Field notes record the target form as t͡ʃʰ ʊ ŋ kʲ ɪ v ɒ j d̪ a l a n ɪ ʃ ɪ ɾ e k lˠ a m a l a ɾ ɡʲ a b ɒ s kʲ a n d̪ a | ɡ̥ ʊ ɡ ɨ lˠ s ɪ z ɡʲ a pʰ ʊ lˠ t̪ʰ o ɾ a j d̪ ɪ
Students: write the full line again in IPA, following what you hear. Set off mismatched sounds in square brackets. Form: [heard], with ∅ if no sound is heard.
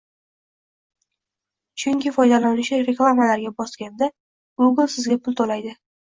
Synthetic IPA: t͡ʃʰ ʊ ŋ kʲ ɪ [f] ɒ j d̪ a l a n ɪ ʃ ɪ ɾ e k lˠ a m a l a ɾ ɡʲ a b ɒ s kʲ a n d̪ a | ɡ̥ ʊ ɡ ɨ lˠ s ɪ z ɡʲ a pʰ ʊ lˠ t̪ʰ o [l] a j d̪ ɪ